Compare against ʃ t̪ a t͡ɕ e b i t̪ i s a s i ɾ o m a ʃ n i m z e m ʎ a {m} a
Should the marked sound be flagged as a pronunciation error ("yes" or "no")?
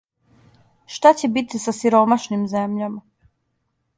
no